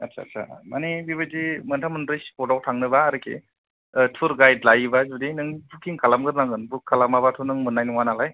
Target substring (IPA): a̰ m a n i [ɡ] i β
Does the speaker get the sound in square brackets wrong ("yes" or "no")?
yes